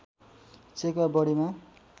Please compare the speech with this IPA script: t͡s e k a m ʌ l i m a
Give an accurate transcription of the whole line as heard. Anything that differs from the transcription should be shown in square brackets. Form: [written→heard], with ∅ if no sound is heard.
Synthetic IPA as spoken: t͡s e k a [m→b] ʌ [l→ɽ] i m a